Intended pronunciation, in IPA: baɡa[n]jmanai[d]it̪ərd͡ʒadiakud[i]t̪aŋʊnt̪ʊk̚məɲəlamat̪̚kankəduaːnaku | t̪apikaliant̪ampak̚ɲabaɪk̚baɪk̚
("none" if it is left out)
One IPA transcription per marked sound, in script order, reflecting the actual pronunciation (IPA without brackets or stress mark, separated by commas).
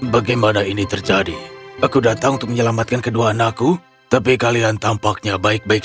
none, n, a